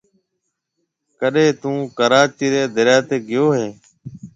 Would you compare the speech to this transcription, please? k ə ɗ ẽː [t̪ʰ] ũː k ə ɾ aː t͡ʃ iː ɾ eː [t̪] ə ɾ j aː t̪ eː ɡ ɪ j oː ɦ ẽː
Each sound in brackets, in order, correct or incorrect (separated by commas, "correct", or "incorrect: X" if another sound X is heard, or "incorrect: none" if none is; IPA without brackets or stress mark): incorrect: t̪, incorrect: d̪